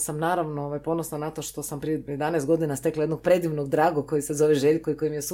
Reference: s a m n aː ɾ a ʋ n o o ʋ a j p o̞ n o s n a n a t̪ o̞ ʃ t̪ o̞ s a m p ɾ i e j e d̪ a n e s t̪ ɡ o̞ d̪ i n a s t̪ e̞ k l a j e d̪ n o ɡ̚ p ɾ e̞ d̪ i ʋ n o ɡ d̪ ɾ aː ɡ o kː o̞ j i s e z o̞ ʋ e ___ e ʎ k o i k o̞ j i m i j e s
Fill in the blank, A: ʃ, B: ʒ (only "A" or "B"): B